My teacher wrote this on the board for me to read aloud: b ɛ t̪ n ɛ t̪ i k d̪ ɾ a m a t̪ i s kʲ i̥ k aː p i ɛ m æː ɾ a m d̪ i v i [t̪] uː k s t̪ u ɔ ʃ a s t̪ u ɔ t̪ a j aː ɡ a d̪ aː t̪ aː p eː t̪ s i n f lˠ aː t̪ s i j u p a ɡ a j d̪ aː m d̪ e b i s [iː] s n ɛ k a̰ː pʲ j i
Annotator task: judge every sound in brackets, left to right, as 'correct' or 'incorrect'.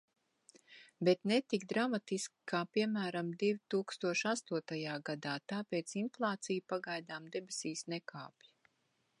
correct, correct

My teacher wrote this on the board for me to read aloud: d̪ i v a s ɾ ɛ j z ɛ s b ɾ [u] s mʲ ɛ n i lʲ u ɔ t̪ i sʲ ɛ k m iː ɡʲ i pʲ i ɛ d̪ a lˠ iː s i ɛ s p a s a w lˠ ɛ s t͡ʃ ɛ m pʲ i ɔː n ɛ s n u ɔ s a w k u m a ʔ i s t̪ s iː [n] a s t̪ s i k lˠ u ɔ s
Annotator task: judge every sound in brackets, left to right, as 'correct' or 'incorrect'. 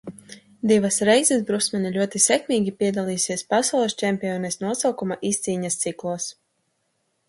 correct, incorrect: ɲ

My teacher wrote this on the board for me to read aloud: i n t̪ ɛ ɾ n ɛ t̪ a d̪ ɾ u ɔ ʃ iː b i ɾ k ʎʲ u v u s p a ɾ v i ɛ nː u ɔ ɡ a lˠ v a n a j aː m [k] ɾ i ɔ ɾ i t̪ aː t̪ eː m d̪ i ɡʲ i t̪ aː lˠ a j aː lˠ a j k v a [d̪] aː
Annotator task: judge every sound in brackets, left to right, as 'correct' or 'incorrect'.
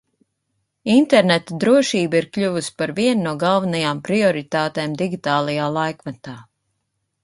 incorrect: p, incorrect: t̪

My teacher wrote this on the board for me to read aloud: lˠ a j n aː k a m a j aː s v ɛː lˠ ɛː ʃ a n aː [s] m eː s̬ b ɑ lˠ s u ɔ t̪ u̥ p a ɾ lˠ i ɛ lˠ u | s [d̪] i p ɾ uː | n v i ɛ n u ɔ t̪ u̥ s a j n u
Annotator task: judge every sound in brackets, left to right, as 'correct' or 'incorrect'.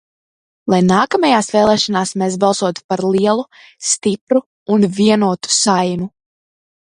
correct, incorrect: t̪

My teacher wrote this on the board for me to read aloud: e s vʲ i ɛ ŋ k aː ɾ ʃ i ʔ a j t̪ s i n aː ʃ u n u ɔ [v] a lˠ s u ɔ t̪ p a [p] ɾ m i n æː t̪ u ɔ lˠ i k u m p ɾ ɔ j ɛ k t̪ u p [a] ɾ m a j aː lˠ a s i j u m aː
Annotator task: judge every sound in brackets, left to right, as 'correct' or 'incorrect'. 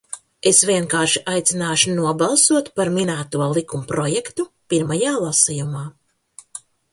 incorrect: b, incorrect: none, incorrect: i

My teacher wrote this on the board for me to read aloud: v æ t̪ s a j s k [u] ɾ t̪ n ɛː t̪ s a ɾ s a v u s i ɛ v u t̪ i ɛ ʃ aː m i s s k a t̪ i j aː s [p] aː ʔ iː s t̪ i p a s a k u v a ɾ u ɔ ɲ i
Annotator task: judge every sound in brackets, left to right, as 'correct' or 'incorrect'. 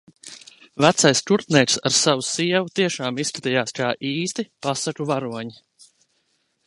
correct, incorrect: k

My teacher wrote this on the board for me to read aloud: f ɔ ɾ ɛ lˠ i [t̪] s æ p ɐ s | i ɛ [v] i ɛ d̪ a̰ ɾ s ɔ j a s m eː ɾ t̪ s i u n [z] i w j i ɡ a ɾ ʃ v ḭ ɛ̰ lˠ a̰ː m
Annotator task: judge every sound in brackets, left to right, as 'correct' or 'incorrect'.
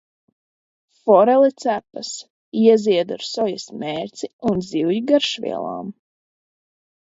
correct, incorrect: z, correct

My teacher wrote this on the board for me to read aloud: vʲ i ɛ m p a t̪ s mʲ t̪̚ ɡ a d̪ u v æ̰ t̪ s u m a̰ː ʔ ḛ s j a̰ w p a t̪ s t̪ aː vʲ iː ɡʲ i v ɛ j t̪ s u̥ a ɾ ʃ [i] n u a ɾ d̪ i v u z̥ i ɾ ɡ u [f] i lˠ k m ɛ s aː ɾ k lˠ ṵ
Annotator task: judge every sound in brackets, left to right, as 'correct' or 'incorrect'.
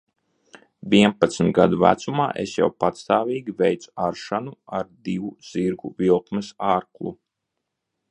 incorrect: a, incorrect: v

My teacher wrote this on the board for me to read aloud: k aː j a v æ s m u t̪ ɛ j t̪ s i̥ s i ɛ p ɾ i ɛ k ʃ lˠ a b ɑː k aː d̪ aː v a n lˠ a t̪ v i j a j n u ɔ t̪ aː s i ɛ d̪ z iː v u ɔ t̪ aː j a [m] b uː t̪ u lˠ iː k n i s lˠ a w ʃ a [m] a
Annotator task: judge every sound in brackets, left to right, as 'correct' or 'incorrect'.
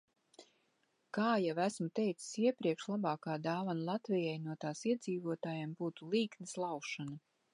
correct, incorrect: n

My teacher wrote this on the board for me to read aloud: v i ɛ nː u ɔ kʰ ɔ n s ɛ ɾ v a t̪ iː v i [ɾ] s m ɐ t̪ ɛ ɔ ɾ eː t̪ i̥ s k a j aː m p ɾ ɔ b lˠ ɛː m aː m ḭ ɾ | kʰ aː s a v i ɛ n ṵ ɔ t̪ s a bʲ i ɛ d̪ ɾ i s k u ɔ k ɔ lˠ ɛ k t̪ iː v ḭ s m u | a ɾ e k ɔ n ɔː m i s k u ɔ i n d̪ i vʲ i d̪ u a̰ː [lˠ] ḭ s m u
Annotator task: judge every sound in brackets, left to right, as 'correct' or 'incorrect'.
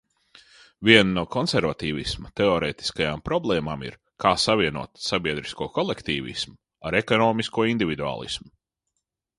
incorrect: none, correct

